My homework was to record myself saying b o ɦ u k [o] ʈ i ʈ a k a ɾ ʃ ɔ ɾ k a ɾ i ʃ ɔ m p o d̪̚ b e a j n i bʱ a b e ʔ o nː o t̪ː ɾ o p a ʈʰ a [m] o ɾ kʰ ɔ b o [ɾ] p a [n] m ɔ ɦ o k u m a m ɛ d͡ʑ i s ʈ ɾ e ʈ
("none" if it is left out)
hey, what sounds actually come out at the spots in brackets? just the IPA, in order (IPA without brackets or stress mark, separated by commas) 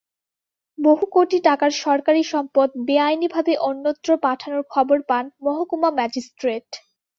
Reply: o, n, ɾ, n